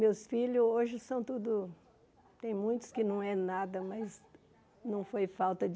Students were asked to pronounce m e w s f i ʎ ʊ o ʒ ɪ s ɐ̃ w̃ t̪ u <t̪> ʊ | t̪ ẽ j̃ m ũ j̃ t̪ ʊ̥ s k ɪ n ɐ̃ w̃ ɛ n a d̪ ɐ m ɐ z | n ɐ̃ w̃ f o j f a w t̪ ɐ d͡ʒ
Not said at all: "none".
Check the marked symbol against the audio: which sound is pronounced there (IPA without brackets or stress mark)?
d̪